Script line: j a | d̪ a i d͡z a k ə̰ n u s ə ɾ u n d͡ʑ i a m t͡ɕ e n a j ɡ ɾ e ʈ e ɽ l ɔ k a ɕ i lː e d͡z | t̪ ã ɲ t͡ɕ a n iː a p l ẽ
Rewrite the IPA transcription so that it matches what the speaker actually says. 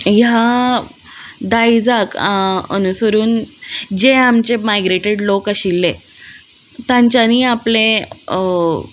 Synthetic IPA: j a | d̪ a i d͡z a k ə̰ n u s ə ɾ uː n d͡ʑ e a m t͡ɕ e m a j ɡ ɾ e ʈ e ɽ l o k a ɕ i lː e | t̪ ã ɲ t͡ɕ a n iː a p l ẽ